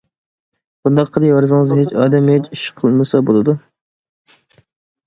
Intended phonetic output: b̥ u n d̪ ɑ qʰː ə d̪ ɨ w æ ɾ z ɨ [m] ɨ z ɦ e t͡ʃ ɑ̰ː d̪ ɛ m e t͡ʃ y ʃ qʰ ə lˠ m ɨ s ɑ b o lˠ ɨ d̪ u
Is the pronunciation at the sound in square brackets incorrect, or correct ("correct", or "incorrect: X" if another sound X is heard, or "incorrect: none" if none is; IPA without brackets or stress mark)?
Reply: incorrect: ŋ